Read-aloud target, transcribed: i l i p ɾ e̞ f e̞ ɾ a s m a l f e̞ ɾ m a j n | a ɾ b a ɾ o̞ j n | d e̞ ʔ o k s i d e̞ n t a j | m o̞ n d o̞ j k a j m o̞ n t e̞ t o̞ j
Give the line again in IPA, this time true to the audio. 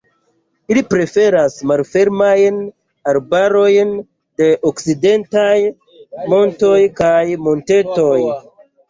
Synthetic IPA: i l i p ɾ e̞ f e̞ ɾ a s m a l f e̞ ɾ m a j n | a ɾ b a ɾ o̞ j n | d e̞ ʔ o k s i d e̞ n t a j | m o̞ n t o̞ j k a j m o̞ n t e̞ t o̞ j